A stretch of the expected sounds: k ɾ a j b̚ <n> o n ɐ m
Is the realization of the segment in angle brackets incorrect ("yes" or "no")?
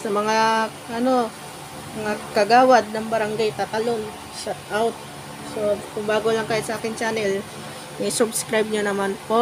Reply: yes